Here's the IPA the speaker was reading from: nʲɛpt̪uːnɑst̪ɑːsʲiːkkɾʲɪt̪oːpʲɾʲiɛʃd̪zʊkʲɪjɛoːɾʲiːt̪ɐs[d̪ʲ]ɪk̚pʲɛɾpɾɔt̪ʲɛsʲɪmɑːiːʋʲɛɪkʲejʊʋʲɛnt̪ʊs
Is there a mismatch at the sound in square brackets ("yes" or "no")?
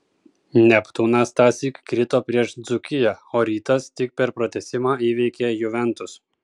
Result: yes